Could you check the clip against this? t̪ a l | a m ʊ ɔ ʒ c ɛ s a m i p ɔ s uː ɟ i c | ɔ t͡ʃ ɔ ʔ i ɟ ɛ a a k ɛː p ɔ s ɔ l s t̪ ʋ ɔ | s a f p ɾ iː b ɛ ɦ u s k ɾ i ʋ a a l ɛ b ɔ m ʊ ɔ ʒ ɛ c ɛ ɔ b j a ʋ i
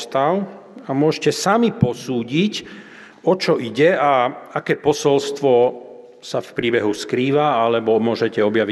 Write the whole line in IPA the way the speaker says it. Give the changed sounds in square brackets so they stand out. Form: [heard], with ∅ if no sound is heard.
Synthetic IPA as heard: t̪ a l | a m ʊ ɔ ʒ c ɛ s a m i p ɔ s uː ɟ i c | ɔ t͡ʃ ɔ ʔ i ɟ ɛ a a k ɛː p ɔ s ɔ l s t̪ ʋ ɔ | s a f p ɾ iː b ɛ ɦ u s k ɾ [iː] ʋ a a l ɛ b ɔ m ʊ ɔ ʒ ɛ c ɛ ɔ b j a ʋ i